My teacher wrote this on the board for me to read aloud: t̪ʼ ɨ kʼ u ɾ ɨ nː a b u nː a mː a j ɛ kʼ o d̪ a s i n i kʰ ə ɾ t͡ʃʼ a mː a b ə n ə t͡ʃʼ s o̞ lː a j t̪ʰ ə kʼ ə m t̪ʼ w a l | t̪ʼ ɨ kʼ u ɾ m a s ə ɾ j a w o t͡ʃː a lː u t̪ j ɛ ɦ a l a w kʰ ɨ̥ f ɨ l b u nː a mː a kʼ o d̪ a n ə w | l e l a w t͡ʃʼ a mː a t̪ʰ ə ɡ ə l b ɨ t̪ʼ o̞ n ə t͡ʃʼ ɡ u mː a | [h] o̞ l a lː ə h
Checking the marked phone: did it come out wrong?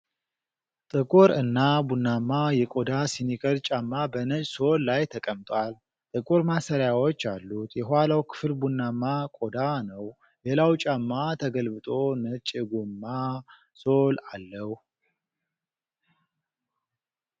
yes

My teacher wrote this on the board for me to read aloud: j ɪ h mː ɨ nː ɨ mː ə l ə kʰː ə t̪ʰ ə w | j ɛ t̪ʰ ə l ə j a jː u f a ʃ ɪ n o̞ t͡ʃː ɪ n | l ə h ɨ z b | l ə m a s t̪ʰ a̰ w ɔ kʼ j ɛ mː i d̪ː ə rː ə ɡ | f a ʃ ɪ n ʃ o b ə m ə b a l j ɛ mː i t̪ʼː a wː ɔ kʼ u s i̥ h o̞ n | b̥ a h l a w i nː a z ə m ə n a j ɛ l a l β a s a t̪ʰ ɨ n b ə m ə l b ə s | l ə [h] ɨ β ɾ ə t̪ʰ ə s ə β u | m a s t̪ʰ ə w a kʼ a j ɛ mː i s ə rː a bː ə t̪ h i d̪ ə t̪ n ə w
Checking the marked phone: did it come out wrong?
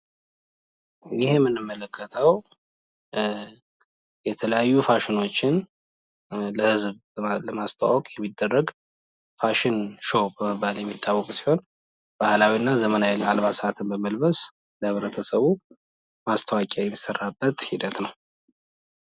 no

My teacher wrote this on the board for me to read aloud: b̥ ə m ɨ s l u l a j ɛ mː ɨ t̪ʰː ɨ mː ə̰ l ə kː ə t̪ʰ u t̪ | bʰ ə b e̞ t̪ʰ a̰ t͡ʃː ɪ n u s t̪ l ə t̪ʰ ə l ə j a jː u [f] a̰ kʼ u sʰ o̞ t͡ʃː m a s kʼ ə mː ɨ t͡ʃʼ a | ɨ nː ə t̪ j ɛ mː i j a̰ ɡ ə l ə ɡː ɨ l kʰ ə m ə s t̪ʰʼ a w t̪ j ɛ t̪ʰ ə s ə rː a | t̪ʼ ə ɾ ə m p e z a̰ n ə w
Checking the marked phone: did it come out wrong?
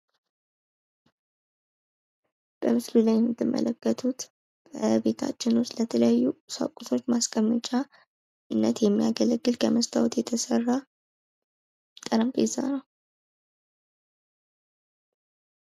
yes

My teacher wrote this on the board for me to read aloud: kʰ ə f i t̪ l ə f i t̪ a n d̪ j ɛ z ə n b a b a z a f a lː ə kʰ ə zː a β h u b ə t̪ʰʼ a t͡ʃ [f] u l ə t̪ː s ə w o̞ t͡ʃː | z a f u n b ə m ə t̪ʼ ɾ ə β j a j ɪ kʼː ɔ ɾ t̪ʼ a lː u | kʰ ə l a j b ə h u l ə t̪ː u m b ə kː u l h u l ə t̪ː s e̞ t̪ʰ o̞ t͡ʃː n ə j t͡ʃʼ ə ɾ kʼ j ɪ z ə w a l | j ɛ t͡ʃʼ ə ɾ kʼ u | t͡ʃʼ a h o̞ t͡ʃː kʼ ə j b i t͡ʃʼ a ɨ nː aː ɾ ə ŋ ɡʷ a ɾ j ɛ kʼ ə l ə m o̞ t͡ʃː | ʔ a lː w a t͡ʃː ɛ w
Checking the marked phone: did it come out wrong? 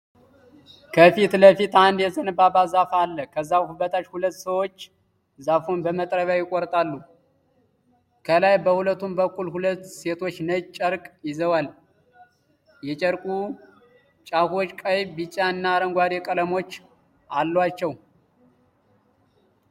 yes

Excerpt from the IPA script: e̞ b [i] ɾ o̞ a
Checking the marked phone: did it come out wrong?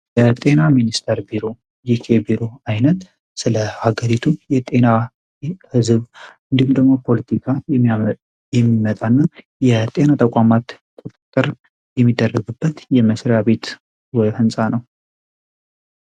no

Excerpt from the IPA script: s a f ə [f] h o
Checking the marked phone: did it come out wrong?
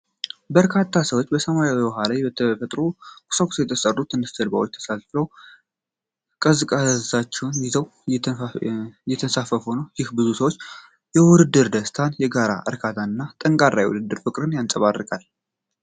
no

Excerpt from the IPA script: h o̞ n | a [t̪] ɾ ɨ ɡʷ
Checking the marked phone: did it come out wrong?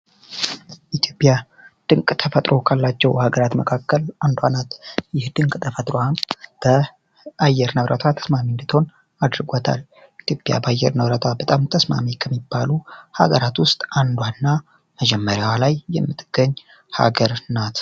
yes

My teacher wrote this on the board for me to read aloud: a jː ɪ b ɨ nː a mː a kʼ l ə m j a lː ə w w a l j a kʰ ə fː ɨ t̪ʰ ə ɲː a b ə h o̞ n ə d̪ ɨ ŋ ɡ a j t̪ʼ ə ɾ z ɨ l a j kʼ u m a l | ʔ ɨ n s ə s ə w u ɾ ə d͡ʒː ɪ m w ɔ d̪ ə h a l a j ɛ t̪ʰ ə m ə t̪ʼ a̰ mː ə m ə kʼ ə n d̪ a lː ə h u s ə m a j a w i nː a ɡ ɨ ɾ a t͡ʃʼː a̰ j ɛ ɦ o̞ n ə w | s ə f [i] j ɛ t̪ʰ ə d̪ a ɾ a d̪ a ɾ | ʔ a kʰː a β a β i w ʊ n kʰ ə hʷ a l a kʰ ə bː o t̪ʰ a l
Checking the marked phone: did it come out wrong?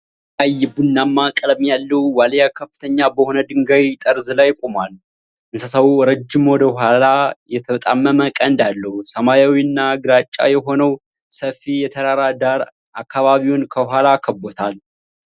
no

